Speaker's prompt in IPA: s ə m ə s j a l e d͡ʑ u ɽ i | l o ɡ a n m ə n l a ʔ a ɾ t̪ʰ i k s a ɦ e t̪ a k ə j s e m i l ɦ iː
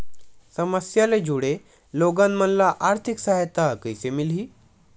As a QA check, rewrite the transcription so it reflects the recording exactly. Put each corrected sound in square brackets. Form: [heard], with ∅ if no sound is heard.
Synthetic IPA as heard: s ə m ə s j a l e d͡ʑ u ɽ [e] | l o ɡ a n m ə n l a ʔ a ɾ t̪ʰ i k s a ɦ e t̪ a k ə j s e m i l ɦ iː